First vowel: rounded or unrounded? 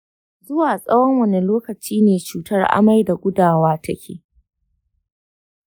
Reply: rounded